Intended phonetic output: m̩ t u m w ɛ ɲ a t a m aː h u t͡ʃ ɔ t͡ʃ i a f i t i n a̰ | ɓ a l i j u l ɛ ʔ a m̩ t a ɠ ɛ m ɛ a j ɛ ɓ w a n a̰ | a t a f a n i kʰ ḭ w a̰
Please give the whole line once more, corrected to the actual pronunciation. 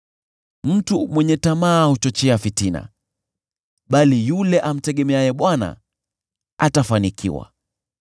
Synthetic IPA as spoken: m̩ t u m w ɛ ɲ ɛ t a m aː h u t͡ʃ ɔ t͡ʃ ɛ a f i t i n a̰ | ɓ a l i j u l ɛ ʔ a m̩ t ɛ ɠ ɛ m ɛ a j ɛ ɓ w a n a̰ | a t a f a n i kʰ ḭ w a̰